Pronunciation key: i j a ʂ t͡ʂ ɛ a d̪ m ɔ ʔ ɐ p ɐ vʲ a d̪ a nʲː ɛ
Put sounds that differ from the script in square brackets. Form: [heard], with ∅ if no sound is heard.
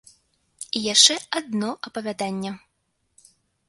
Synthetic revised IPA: i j a ʂ t͡ʂ ɛ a d̪ [n] ɔ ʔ ɐ p ɐ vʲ a d̪ a nʲː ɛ